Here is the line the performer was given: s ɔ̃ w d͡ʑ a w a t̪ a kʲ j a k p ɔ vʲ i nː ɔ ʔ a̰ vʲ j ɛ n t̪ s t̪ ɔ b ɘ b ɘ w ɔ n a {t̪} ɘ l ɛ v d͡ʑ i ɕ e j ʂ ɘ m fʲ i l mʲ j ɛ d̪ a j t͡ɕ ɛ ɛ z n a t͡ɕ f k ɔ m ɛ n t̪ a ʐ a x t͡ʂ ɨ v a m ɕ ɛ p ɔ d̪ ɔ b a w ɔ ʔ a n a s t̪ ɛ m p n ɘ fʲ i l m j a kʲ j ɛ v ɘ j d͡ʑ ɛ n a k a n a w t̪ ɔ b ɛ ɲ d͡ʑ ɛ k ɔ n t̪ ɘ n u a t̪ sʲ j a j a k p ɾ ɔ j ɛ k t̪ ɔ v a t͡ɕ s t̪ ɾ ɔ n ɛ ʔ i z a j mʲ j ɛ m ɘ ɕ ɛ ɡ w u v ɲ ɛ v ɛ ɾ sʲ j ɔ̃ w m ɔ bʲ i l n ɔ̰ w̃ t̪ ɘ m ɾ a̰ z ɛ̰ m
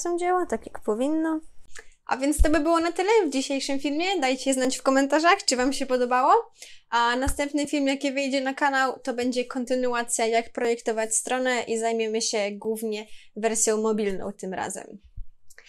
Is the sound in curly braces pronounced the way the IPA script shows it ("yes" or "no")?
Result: yes